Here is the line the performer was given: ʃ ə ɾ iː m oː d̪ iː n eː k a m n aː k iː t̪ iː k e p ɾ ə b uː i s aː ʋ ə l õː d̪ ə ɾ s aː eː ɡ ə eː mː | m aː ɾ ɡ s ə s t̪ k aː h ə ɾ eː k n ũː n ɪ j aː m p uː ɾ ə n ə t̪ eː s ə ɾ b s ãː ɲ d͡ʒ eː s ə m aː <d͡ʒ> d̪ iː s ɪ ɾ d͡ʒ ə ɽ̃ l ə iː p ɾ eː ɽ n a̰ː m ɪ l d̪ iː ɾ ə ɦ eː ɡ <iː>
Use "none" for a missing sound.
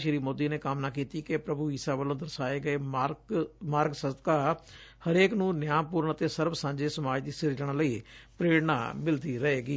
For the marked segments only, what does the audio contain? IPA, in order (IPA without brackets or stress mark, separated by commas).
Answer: d͡ʒ, iː